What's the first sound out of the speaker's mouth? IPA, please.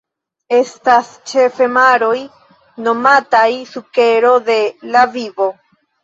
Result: e̞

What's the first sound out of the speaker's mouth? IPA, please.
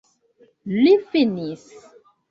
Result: l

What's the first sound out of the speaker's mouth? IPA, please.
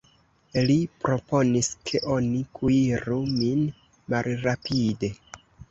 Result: l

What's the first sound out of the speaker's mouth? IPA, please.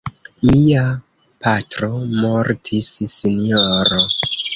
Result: m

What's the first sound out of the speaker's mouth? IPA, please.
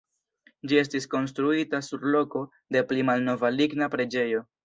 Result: d͡ʒ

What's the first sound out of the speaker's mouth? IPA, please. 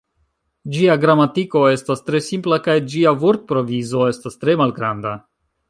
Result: d͡ʒ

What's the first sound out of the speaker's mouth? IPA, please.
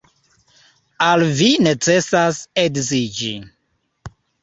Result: a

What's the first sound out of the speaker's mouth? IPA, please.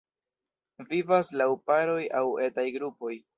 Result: v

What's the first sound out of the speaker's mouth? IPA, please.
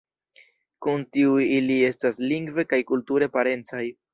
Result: k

